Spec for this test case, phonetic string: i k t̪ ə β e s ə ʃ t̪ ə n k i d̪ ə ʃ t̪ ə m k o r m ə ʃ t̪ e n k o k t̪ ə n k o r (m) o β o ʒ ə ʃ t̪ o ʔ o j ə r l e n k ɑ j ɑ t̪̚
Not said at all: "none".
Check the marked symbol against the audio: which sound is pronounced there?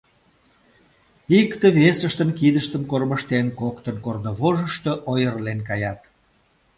n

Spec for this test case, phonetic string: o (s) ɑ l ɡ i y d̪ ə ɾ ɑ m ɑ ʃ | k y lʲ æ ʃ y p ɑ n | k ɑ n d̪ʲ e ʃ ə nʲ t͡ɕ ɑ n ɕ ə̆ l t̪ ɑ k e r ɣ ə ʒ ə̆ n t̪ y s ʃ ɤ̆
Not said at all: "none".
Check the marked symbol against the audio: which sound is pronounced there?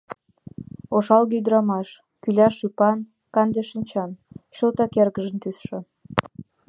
ʃ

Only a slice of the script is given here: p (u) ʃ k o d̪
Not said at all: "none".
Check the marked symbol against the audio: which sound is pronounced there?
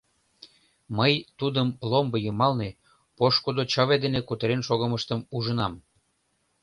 o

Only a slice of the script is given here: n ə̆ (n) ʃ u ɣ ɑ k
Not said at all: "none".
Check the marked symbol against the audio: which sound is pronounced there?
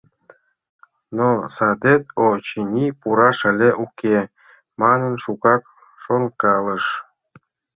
n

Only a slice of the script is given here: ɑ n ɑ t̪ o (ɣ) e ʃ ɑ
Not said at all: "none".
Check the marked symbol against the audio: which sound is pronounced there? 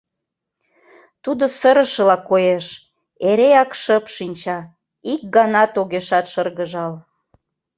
ɣ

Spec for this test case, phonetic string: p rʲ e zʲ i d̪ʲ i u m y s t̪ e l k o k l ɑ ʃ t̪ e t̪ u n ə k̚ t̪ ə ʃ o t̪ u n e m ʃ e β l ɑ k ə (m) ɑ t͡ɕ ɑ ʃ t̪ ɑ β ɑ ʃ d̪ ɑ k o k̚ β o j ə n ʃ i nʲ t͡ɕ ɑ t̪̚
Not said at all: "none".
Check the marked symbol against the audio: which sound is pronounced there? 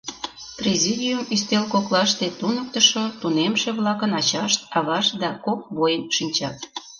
n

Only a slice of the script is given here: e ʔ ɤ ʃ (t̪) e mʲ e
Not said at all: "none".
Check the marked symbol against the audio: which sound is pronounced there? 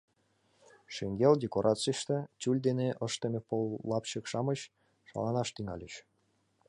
t̪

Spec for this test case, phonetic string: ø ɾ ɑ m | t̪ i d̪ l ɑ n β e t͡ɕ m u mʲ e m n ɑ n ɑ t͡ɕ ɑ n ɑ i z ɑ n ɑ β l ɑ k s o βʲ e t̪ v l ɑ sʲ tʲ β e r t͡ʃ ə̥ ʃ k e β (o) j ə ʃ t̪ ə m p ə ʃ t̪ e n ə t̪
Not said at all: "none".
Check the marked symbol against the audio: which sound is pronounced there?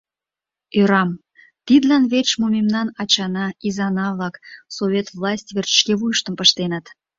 u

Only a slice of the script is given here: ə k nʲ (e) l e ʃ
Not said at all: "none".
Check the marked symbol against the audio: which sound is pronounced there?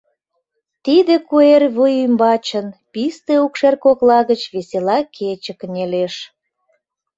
e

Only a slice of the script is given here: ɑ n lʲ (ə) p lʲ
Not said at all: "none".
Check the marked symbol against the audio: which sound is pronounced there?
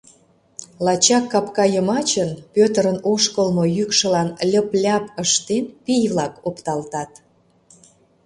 ə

